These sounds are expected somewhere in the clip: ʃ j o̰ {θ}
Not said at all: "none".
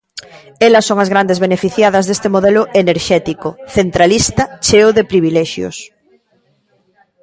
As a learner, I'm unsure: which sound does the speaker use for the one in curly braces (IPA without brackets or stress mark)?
s